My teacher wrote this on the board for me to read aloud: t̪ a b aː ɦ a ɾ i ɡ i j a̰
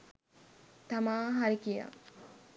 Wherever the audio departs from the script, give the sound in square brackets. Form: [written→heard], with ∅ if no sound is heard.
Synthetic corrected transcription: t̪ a [b→m] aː ɦ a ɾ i [ɡ→k] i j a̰

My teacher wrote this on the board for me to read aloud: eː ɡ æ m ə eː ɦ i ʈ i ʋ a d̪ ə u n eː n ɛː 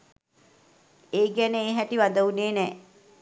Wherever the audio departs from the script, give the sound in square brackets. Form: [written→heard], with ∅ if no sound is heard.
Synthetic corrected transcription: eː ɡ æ [m→n] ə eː ɦ [i→æ] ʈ i ʋ a d̪ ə u n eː n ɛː

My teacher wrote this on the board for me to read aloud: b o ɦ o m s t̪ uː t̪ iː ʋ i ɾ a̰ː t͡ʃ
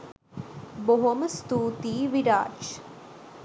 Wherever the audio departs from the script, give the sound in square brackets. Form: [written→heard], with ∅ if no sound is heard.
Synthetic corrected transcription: b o ɦ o m s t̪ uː t̪ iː ʋ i ɾ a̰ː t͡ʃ

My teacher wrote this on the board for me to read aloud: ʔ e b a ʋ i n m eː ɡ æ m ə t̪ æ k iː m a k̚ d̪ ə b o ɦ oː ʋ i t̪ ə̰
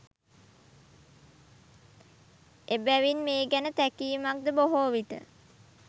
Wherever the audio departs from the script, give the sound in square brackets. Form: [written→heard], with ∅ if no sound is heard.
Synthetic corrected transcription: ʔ e b [a→æ] ʋ i n m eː ɡ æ [m→n] ə t̪ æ k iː m a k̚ d̪ ə b o ɦ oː ʋ i t̪ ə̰

